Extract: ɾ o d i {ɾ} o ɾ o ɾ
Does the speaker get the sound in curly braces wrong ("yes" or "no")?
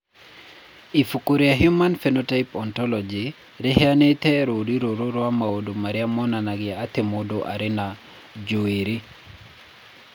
no